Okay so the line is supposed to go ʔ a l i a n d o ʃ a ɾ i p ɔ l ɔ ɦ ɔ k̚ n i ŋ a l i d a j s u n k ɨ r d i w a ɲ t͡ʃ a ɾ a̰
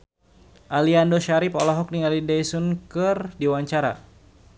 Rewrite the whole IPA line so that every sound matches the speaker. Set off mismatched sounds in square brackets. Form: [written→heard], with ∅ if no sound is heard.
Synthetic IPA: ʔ a l i a n d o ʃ a ɾ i p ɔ l ɔ ɦ ɔ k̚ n i ŋ a l i d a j s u n k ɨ r d i w a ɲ t͡ʃ a ɾ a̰